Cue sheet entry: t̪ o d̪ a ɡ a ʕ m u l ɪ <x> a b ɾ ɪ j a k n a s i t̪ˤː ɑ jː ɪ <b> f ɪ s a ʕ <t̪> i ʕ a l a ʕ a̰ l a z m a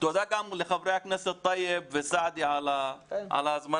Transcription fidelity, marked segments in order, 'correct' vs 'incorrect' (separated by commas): correct, correct, incorrect